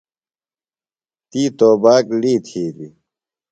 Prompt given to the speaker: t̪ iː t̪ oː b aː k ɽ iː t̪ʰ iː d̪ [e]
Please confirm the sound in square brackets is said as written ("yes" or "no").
no